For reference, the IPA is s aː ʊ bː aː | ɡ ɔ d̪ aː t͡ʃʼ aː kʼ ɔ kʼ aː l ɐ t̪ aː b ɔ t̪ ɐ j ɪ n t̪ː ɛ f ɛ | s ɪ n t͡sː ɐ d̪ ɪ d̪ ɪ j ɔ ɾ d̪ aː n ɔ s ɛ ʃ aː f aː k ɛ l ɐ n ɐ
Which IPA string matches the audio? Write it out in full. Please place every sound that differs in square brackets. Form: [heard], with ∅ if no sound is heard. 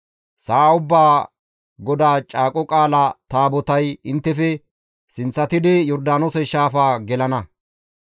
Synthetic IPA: s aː ʊ bː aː | ɡ ɔ d̪ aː t͡ʃʼ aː kʼ ɔ kʼ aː l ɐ t̪ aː b ɔ t̪ ɐ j ɪ n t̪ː ɛ f ɛ | s ɪ n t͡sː ɐ [t̪] ɪ d̪ ɪ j ɔ ɾ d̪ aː n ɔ s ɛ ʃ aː f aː [ɡ] ɛ l ɐ n ɐ